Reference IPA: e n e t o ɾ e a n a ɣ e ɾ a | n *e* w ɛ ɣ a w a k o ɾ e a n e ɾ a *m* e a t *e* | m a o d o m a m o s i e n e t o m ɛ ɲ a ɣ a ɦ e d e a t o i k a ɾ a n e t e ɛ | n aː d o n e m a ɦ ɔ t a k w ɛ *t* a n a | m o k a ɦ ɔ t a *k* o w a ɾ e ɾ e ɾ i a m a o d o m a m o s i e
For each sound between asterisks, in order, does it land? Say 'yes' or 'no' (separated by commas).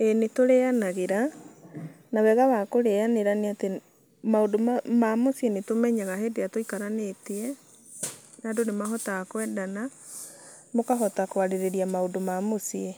no, no, yes, no, yes